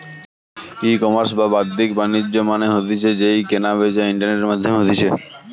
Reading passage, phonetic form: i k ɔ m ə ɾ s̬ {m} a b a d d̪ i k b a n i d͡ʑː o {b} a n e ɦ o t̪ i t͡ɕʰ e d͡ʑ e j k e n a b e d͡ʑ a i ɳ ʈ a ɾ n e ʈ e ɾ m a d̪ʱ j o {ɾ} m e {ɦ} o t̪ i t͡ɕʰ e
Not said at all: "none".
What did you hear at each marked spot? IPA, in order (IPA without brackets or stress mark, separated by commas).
b, m, none, ɦ